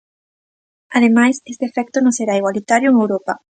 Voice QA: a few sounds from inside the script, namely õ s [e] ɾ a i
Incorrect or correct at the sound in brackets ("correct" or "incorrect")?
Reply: correct